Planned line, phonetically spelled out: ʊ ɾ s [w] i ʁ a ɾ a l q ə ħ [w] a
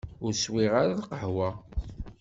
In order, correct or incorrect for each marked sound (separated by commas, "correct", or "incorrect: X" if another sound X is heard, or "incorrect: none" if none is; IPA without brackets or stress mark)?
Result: correct, correct